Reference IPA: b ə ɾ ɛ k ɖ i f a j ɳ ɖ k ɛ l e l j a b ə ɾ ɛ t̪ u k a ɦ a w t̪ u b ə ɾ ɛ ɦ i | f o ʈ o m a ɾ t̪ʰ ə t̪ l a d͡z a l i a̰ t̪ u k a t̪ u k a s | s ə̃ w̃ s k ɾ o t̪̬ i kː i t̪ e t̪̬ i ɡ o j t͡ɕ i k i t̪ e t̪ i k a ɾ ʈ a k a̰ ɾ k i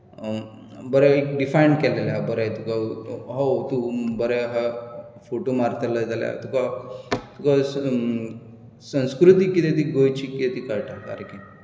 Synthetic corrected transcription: b ə ɾ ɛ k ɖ i f a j ɳ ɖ k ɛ l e l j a b ə ɾ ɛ t̪ u k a ɦ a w t̪ u b ə ɾ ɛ ɦ a | f o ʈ o m a ɾ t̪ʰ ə l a d͡z a l j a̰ t̪ u k a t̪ u k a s | s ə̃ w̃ s k ɾ u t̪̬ i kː i t̪ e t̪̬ i ɡ o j t͡ɕ i k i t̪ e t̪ i k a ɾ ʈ a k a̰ ɾ k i